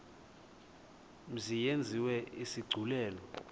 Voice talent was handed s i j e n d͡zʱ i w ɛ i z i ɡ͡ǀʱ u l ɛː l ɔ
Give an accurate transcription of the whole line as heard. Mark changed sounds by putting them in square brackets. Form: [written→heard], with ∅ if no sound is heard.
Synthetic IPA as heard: [s→z] i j e n d͡zʱ i w ɛ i [z→s] i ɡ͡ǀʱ u l ɛː l ɔ